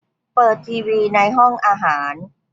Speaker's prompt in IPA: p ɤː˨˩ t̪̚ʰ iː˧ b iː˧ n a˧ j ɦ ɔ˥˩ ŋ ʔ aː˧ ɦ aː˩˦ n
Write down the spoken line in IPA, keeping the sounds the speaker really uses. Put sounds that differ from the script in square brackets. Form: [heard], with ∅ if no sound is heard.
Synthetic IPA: p ɤː˨˩ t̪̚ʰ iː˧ [w] iː˧ n a˧ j ɦ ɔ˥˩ ŋ ʔ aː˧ ɦ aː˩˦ n